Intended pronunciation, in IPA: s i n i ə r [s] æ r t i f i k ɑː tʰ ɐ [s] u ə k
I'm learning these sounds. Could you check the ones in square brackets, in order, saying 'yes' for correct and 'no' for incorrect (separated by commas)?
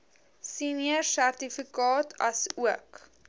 yes, yes